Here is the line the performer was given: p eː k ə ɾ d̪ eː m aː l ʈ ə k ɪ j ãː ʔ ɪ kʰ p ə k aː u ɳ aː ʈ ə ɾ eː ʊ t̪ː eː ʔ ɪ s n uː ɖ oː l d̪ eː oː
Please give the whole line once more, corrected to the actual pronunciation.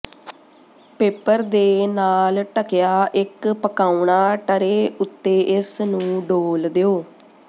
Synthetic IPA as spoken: p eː p ə ɾ d̪ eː n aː l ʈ ə k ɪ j aː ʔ ɪ k p ə k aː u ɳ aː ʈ ə ɾ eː ʊ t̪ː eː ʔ ɪ s n ũː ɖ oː l d̪ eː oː